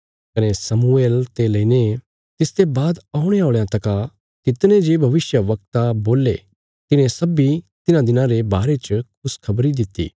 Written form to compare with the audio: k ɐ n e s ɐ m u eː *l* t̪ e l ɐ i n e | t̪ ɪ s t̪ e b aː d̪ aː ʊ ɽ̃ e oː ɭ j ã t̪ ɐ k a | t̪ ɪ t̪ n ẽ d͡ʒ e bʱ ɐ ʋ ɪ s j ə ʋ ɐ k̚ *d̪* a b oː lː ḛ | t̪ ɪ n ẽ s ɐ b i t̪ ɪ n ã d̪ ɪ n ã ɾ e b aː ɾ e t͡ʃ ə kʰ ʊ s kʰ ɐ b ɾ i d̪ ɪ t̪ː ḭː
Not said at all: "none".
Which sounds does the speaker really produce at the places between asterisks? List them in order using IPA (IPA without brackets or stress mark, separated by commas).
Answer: l, t̪